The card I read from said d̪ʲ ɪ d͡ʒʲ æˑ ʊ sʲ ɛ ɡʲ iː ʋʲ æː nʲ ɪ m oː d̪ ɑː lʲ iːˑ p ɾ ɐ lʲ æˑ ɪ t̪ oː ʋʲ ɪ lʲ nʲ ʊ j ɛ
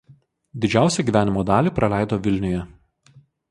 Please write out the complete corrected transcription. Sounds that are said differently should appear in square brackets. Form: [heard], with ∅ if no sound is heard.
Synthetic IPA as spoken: d̪ʲ ɪ d͡ʒʲ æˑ ʊ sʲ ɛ ɡʲ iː ʋʲ æː nʲ ɪ m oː d̪ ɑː lʲ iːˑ p ɾ ɐ lʲ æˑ ɪ [d̪] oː ʋʲ ɪ lʲ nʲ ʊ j ɛ